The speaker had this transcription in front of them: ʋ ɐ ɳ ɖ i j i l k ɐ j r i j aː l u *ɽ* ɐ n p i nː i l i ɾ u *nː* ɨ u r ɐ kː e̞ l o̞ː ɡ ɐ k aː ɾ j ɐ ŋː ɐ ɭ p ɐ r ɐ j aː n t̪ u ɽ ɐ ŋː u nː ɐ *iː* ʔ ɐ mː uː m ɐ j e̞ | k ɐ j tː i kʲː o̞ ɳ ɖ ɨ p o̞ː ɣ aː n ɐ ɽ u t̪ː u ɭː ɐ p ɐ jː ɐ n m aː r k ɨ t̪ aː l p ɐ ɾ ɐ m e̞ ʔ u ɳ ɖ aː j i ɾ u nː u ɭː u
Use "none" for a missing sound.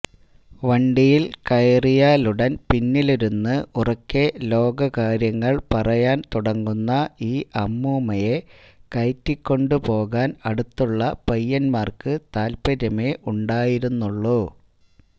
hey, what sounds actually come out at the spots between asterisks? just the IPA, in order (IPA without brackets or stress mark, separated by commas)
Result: ɽ, nː, iː